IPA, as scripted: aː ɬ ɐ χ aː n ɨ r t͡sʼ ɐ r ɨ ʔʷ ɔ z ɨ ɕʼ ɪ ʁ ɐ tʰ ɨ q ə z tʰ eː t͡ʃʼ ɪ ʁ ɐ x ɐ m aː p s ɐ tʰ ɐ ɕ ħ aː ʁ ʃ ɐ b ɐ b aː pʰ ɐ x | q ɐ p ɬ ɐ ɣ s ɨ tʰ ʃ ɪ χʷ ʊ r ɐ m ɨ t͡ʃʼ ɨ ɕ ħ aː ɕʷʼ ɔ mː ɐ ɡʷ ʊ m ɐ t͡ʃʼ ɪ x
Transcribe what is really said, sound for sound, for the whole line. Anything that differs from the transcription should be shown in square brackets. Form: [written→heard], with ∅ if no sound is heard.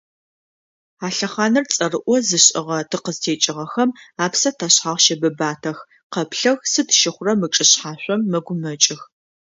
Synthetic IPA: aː ɬ ɐ χ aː n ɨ r t͡sʼ ɐ r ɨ ʔʷ ɔ z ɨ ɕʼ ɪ ʁ ɐ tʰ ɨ q ə z tʰ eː t͡ʃʼ ɪ ʁ ɐ x ɐ m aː p s ɐ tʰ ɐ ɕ ħ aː ʁ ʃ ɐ b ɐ b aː [pʰ→tʰ] ɐ x | q ɐ p ɬ ɐ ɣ s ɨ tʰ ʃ ɪ χʷ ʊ r ɐ m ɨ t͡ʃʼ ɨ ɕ ħ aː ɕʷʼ ɔ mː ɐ ɡʷ ʊ m ɐ t͡ʃʼ ɪ x